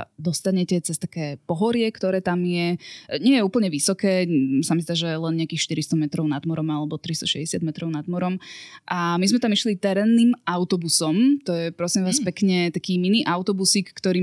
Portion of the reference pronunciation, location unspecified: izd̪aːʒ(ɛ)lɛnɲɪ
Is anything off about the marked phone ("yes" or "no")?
no